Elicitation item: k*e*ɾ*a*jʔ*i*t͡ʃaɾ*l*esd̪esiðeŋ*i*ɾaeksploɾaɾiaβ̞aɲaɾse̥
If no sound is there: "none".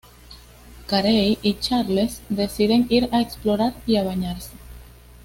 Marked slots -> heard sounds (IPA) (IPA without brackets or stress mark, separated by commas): a, e, i, l, i